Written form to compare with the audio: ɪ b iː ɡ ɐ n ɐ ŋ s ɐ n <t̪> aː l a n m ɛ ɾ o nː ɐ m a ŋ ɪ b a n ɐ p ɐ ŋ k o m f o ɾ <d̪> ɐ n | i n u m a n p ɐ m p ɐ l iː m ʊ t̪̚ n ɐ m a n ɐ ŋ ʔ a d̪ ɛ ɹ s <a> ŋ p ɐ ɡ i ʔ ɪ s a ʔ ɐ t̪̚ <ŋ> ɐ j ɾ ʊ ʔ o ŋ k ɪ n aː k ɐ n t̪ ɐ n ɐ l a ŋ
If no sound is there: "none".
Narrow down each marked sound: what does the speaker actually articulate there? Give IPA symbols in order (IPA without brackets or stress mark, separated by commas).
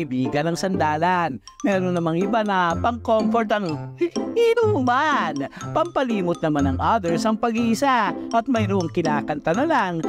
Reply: d̪, t̪, ɐ, m